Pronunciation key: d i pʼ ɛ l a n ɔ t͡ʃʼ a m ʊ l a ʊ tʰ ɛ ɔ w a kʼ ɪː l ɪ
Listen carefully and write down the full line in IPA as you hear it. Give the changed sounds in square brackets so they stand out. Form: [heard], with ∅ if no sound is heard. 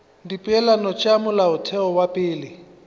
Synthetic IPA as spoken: d i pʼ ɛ l a n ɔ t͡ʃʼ a m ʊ l a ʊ tʰ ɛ ɔ w a [pʼ] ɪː l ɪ